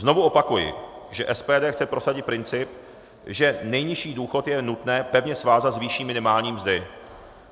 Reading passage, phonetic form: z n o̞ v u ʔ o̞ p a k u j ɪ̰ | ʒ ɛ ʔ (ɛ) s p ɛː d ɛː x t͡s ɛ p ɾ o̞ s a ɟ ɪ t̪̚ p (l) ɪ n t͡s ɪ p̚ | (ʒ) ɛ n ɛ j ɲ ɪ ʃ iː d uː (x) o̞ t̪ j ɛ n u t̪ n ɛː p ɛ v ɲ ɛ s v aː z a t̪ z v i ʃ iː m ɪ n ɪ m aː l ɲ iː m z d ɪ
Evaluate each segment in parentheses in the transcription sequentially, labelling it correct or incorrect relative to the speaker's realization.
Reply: correct, incorrect, correct, correct

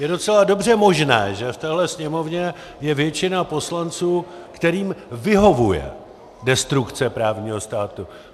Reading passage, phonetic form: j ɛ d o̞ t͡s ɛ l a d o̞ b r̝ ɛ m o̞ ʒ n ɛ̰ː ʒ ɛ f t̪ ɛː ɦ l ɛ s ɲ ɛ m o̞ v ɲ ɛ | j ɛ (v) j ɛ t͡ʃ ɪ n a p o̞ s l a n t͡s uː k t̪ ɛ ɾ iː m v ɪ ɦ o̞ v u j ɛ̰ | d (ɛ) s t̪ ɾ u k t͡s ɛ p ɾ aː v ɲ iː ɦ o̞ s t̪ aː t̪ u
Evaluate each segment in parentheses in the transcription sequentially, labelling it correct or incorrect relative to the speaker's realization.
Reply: correct, correct

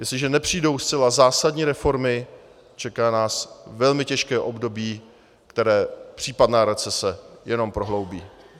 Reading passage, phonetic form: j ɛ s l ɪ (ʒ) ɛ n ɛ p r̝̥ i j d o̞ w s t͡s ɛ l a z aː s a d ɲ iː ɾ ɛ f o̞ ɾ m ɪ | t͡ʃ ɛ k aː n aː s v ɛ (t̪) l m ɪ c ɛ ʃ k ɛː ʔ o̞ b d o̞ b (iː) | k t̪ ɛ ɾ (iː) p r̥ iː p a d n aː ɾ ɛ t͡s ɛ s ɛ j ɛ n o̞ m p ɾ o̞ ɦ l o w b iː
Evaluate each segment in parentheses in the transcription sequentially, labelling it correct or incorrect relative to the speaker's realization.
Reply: correct, incorrect, correct, incorrect

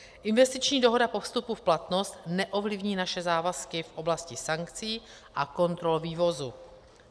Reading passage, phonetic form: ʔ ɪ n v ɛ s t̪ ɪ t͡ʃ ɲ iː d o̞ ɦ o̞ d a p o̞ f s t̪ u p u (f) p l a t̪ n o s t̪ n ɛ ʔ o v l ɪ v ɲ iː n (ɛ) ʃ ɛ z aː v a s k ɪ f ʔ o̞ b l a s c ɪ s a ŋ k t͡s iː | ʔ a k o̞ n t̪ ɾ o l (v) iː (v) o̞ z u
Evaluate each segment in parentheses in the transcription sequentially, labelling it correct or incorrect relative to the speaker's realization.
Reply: correct, incorrect, correct, correct

